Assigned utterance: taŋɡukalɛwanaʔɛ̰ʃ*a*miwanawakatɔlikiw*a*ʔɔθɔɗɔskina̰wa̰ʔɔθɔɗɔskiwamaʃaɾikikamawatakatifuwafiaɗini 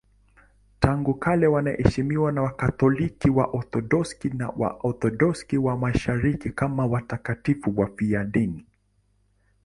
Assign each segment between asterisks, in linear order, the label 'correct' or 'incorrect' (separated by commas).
incorrect, correct